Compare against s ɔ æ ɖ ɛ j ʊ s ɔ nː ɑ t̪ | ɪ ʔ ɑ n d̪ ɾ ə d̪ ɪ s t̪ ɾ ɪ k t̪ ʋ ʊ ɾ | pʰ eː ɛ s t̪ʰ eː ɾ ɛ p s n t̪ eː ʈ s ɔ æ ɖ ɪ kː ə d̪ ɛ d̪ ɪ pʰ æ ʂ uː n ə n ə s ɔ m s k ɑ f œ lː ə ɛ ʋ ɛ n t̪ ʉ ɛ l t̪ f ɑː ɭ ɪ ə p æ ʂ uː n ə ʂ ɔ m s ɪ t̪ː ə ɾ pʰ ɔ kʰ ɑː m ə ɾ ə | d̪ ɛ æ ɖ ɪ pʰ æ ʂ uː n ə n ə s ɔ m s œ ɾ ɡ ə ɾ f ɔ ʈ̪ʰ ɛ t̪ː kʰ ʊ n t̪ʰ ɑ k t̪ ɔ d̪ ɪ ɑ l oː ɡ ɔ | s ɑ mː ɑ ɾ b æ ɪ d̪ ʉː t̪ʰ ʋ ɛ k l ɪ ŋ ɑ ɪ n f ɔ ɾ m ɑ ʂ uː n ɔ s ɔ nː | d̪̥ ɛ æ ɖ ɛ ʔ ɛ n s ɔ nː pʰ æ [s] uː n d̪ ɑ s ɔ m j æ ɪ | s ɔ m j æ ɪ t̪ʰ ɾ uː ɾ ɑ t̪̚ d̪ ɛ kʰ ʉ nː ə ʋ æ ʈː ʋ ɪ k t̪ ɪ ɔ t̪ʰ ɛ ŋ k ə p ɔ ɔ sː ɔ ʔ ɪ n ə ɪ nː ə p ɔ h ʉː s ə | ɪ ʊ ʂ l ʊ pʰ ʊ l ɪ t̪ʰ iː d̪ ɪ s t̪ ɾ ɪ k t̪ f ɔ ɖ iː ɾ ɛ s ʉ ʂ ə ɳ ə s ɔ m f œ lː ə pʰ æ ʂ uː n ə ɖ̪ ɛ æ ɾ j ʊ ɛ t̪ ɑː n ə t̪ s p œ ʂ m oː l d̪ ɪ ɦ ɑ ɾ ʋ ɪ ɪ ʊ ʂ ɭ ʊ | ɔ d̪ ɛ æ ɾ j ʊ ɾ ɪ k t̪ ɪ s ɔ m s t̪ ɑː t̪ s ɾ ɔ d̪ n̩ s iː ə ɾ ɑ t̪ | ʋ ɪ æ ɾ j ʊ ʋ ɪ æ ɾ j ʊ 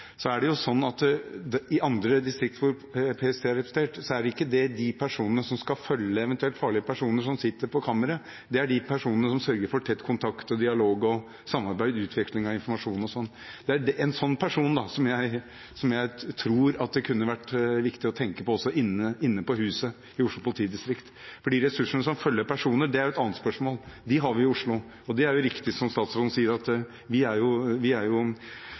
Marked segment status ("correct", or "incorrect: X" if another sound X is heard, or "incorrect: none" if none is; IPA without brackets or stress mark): incorrect: ʂ